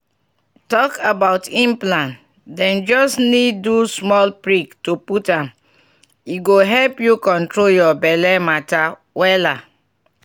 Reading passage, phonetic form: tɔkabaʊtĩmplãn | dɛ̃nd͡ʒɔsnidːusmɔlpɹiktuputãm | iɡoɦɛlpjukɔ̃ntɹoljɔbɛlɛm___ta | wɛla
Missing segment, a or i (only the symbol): a